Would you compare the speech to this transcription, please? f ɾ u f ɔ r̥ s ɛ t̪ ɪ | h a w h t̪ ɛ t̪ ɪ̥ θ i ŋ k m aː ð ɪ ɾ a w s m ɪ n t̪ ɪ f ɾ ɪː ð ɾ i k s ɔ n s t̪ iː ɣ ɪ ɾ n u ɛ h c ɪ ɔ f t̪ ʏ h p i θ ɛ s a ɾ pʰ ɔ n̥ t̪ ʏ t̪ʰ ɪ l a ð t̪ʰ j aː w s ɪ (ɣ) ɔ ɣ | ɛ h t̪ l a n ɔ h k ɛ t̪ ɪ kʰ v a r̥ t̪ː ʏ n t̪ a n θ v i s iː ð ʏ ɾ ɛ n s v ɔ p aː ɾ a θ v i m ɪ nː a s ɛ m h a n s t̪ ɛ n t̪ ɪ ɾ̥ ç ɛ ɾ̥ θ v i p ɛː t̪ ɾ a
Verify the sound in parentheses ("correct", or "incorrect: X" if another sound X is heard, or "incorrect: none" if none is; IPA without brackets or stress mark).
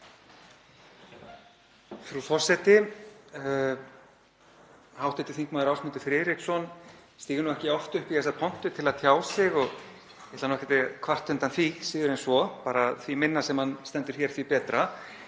correct